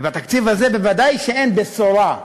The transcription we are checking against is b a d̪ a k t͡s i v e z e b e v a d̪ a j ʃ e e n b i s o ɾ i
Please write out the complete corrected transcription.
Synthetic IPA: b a t̪ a k t͡s i v a z e b e v a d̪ a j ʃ e e n b e s o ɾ a